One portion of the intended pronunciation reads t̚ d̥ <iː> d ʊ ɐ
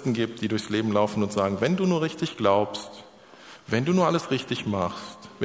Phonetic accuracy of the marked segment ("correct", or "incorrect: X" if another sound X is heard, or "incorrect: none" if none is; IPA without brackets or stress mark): correct